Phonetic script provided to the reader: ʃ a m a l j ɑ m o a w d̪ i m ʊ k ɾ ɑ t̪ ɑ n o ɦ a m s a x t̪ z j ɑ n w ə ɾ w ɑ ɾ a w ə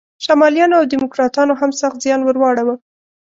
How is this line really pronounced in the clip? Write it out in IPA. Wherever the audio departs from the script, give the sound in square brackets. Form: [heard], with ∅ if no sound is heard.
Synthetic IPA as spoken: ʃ a m [ɑ] l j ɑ [n] o a w d̪ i m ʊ k ɾ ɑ t̪ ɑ n o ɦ a m s a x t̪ z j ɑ n w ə ɾ w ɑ [ɽ] a w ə